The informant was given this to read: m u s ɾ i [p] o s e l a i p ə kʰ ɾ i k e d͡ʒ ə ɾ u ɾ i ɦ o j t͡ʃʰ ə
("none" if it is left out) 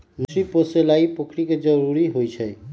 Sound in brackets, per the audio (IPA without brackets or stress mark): p